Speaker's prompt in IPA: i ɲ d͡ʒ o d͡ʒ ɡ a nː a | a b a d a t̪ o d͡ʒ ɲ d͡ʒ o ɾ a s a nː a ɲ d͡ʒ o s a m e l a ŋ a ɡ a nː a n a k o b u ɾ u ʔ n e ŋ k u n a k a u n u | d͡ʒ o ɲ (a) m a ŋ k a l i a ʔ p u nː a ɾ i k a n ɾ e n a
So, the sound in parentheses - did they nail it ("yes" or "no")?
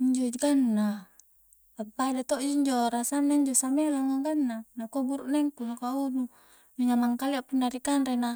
yes